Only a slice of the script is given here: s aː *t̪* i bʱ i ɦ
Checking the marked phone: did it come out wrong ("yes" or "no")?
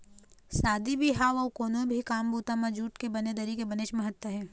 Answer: yes